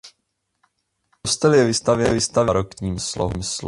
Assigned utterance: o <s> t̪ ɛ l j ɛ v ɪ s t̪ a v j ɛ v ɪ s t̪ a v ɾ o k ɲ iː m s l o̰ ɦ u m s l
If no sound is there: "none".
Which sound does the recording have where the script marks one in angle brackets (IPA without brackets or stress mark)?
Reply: s